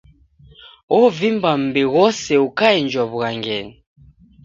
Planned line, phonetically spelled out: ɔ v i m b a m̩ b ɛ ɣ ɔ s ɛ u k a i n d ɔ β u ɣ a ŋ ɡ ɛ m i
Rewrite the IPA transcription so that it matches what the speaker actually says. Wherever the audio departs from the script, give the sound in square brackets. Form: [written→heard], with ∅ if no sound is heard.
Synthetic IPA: ɔ v i m b a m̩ b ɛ ɣ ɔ s ɛ u k a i n [d→d͡ʒ] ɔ β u ɣ a ŋ ɡ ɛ [m→n] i